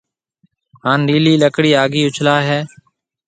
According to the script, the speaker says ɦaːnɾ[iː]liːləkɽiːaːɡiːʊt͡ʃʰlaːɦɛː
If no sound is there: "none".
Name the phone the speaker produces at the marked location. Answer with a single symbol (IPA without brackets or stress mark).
iː